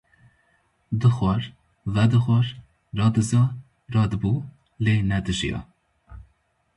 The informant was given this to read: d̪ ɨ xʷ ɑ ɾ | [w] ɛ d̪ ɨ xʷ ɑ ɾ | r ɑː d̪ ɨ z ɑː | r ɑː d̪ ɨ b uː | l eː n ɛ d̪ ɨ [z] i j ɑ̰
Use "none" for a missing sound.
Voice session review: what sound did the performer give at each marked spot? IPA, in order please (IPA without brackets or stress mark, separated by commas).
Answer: v, ʒ